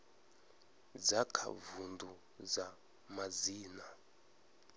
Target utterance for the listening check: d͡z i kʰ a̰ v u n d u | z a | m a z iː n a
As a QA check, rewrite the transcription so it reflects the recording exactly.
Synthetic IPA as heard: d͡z a kʰ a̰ v u n d u | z a | m a z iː n a